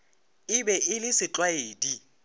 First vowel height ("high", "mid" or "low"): high